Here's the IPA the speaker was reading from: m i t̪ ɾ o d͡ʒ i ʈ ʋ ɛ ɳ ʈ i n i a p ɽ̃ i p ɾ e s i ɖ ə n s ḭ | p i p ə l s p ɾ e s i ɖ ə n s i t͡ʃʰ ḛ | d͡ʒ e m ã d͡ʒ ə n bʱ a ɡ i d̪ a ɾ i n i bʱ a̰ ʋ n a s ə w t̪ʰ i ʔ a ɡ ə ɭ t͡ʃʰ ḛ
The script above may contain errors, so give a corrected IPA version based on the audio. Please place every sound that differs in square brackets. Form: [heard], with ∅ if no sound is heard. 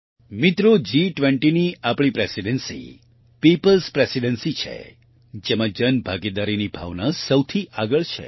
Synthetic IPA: m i t̪ ɾ o d͡ʒ i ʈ ʋ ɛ ɳ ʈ i n i a p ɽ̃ i p ɾ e s i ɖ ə n s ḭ | p i p ə l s p ɾ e s i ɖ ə n s i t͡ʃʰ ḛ | d͡ʒ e m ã d͡ʒ ə n bʱ a ɡ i d̪ a ɾ i n i bʱ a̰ ʋ n a s ə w t̪ʰ i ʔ a ɡ ə ɭ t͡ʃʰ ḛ